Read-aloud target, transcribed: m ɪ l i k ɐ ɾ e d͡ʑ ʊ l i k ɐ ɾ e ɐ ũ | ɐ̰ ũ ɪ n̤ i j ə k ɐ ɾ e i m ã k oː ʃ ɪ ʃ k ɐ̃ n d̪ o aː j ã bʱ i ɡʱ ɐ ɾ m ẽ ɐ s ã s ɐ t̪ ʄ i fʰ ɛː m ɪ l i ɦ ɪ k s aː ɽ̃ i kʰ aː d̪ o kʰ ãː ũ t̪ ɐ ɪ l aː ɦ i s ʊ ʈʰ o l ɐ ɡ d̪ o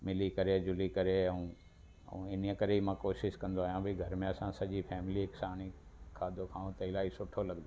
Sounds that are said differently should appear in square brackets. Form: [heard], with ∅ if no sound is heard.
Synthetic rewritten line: m ɪ l i k ɐ ɾ e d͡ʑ ʊ l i k ɐ ɾ e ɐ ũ | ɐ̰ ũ ɪ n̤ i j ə k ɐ ɾ e i m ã k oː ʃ ɪ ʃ k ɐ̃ n d̪ o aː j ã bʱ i ɡʱ ɐ ɾ m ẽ ɐ s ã s ɐ [∅] ʄ i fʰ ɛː m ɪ l i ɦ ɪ k s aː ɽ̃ i kʰ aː d̪ o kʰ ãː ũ t̪ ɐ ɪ l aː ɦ i s ʊ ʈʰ o l ɐ ɡ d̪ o

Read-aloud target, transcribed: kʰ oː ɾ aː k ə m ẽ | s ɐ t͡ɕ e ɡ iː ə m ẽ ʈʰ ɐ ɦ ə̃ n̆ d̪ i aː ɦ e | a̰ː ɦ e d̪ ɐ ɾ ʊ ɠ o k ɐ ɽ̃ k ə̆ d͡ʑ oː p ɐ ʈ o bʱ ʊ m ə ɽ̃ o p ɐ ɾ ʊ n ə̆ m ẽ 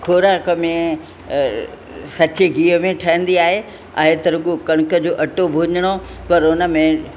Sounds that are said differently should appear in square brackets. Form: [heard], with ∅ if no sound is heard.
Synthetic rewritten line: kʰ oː ɾ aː k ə m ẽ | s ɐ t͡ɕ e ɡ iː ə m ẽ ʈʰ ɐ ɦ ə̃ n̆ d̪ i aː ɦ e | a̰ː ɦ e [t̪] ɐ ɾ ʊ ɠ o k ɐ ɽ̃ k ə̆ d͡ʑ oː [ʔ] ɐ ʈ o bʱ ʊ [ɲ] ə ɽ̃ o p ɐ ɾ ʊ n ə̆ m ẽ

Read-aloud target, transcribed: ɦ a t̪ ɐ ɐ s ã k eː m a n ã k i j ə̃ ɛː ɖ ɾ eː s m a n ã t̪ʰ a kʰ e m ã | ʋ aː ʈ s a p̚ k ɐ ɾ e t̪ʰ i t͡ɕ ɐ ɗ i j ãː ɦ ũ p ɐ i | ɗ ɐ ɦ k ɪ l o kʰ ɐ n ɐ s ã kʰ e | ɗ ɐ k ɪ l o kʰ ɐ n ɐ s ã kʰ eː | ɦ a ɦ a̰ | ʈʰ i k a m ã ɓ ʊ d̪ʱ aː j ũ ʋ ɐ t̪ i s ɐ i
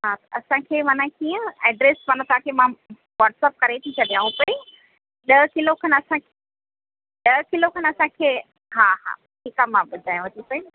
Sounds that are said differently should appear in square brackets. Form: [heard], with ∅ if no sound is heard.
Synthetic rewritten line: ɦ a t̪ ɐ ɐ s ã [kʰ] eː m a n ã k i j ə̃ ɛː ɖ ɾ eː s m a n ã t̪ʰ a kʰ e m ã | ʋ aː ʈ s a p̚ k ɐ ɾ e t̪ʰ i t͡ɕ ɐ ɗ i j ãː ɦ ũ p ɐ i | ɗ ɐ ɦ k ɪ l o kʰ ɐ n ɐ s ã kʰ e | ɗ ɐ k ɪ l o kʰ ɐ n ɐ s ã kʰ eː | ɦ a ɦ a̰ | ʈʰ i k a m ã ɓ ʊ d̪ʱ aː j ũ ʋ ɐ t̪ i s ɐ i

